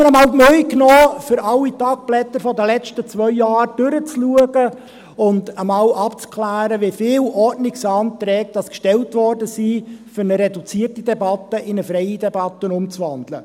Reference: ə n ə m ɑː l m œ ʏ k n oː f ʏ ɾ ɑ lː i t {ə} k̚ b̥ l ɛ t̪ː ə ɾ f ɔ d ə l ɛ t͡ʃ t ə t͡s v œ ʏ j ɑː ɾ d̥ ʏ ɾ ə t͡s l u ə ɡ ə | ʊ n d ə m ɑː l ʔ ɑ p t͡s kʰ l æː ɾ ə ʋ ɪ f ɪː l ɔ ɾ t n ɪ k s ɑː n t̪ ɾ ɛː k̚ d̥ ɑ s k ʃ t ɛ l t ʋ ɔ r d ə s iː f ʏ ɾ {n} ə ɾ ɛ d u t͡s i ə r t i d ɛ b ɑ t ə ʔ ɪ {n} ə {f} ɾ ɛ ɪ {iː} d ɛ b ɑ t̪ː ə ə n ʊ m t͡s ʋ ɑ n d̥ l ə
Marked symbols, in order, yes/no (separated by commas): no, yes, yes, yes, no